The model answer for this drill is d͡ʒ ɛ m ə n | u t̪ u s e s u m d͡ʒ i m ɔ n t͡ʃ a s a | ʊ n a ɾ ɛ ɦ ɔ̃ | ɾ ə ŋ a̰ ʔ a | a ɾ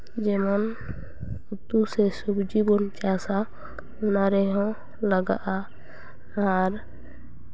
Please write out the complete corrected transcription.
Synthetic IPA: d͡ʒ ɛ m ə n | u t̪ u s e s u b d͡ʒ i b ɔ n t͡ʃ a s a | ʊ n a ɾ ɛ ɦ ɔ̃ | l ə ɡ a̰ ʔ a | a ɾ